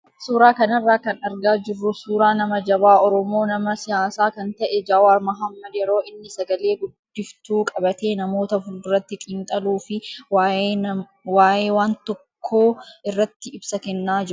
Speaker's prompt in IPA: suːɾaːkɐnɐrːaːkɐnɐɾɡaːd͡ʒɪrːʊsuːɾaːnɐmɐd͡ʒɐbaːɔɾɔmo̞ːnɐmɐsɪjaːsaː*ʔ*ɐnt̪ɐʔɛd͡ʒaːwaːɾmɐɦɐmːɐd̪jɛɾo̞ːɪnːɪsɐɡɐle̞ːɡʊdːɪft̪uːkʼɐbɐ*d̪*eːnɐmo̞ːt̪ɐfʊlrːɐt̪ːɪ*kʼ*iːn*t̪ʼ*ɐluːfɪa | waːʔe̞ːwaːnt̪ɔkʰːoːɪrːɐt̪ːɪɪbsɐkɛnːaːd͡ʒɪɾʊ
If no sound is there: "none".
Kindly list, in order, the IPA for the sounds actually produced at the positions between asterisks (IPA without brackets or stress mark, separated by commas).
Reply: k, t̪, kʼ, t̪ʼ